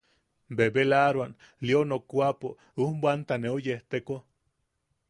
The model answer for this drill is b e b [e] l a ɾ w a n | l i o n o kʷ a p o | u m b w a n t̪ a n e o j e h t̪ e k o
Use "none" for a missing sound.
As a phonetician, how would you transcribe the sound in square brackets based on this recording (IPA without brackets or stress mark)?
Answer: e